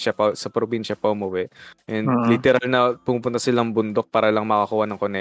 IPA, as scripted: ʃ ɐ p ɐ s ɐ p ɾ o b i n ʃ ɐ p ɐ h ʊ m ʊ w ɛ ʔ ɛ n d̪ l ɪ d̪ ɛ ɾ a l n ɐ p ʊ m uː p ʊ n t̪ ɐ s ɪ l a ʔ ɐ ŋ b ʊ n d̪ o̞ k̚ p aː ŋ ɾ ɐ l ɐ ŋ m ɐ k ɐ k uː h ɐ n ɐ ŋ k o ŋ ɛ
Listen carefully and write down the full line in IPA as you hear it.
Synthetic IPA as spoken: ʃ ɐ p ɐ s ɐ p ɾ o b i n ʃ ɐ p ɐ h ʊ m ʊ w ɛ ʔ ɛ n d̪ l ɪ t̪ ɛ ɾ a l n ɐ p ʊ m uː p ʊ n t̪ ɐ s ɪ l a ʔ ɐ ŋ b ʊ n d̪ o̞ k̚ p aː ɾ ɐ l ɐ ŋ m ɐ k ɐ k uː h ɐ n ɐ ŋ k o n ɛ